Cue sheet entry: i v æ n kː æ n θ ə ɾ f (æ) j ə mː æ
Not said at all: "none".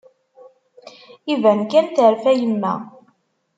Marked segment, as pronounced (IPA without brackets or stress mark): æ